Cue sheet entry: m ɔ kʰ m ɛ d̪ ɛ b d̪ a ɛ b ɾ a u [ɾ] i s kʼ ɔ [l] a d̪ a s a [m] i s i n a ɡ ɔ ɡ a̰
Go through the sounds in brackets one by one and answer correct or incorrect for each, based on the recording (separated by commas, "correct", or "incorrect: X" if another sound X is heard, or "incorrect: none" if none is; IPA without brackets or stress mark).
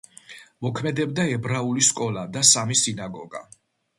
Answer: incorrect: l, correct, correct